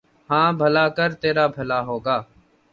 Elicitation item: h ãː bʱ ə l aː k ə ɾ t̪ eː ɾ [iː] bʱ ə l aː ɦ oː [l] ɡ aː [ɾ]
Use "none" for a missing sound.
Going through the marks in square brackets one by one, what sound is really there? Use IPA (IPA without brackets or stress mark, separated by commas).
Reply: aː, none, none